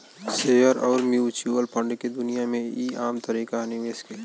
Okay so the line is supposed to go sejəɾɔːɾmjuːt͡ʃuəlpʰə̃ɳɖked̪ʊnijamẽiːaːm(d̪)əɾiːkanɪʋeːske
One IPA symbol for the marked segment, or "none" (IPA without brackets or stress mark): t̪